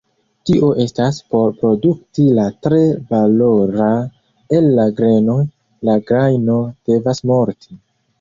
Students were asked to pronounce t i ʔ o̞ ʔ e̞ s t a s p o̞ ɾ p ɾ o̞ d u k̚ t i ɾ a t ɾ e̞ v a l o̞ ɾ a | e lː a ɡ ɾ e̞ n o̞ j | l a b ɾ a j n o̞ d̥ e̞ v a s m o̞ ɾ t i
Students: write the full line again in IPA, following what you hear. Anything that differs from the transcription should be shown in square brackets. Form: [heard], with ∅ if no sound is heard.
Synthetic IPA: t i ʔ o̞ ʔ e̞ s t a s p o̞ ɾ p ɾ o̞ d u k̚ t i [l] a t ɾ e̞ v a l o̞ ɾ a | e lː a ɡ ɾ e̞ n o̞ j | l a [ɡ] ɾ a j n o̞ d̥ e̞ v a s m o̞ ɾ t i